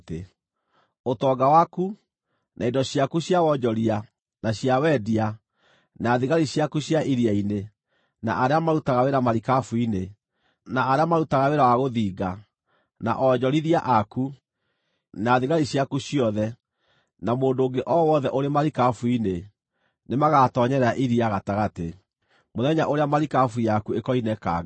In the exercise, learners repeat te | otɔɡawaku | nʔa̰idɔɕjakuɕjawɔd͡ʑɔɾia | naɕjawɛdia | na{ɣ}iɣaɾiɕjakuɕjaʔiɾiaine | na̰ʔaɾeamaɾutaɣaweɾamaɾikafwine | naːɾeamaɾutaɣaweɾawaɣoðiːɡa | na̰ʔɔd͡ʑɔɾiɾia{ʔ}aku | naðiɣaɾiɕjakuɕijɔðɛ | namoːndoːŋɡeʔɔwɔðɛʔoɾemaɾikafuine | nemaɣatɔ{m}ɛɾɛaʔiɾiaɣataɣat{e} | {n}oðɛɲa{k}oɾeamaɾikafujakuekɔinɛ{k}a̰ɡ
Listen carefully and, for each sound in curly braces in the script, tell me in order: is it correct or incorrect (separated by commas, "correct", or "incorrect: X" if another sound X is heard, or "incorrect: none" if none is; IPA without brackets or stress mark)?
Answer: incorrect: ð, correct, incorrect: ɲ, correct, incorrect: m, incorrect: ʔ, correct